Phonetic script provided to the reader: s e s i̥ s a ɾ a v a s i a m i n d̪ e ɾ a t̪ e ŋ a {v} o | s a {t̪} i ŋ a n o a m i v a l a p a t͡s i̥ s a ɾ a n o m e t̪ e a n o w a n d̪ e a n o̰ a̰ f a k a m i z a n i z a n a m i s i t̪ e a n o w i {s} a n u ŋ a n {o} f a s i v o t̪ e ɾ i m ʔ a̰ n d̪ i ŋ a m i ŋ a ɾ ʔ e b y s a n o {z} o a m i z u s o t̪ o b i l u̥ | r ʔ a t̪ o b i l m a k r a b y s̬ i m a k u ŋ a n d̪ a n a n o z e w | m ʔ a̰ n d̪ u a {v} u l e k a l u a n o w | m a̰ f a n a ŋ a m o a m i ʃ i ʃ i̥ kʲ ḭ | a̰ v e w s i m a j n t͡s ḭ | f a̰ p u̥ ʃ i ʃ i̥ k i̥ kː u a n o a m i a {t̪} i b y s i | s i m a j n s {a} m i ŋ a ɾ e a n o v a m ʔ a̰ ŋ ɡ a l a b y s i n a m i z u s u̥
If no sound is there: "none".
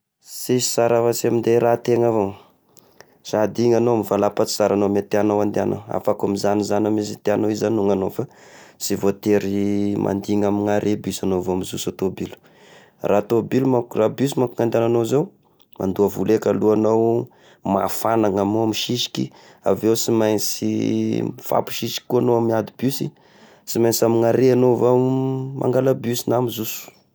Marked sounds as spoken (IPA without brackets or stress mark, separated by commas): v, d̪, z, o, v, v, d̪, a